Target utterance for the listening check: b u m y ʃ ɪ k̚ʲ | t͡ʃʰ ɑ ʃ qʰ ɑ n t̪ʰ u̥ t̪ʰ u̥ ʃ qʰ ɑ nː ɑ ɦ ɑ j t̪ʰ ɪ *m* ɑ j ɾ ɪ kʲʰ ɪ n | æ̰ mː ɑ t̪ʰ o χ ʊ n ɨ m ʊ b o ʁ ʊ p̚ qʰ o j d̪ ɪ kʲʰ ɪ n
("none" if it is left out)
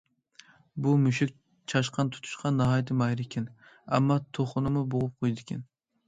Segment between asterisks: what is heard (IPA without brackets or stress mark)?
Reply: m